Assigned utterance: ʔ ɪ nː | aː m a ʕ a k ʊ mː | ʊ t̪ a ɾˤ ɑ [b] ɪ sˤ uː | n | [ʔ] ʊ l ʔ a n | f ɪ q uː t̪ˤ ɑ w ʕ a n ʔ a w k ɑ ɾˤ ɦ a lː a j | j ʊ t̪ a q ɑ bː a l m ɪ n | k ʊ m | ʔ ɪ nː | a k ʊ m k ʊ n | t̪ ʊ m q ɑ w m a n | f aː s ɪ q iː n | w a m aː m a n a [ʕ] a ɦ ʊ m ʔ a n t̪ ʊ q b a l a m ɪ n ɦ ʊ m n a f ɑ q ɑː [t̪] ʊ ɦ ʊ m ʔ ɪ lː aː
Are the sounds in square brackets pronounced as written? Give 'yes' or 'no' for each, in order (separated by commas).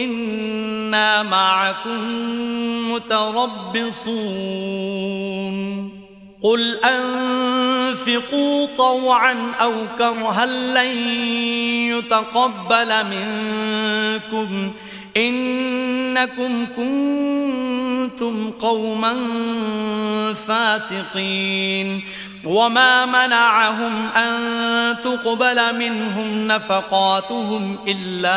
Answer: no, no, yes, yes